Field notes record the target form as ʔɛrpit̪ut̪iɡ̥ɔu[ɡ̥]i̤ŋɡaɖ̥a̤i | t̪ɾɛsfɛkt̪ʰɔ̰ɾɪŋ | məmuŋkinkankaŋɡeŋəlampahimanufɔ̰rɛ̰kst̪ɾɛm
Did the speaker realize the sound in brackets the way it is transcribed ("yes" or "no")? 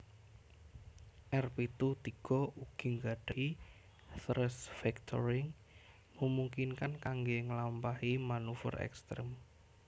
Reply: yes